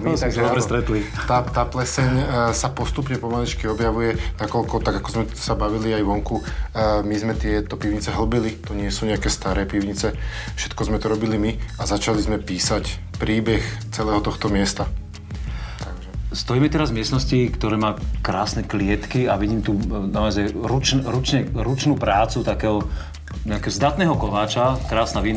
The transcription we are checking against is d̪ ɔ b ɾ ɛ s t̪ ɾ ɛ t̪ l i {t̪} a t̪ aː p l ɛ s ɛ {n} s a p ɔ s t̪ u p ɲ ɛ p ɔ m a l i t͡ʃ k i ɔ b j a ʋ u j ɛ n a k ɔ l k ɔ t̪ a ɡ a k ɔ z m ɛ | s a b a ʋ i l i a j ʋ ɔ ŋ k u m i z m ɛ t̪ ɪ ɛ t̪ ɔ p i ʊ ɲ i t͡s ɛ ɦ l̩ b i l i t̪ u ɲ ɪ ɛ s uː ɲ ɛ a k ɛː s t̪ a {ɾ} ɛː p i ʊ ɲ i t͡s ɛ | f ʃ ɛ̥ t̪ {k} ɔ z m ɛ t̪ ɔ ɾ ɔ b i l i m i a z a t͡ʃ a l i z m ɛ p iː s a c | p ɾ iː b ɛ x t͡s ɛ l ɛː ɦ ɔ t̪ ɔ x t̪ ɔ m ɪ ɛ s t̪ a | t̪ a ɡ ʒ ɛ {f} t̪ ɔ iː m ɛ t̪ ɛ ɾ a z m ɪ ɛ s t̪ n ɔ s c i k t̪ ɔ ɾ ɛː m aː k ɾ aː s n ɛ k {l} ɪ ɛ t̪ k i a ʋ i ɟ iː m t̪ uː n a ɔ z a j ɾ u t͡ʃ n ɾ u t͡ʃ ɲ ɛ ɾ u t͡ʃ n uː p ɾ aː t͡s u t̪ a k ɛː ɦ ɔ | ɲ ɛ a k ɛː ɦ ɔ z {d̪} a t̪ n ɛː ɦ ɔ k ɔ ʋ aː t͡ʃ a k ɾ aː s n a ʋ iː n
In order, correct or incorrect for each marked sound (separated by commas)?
correct, incorrect, correct, correct, incorrect, correct, correct